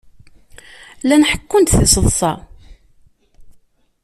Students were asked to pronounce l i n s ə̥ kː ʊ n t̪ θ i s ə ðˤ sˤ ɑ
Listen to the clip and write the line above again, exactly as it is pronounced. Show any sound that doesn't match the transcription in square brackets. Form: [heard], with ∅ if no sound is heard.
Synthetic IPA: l [æ] n [ħ] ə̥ kː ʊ n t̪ θ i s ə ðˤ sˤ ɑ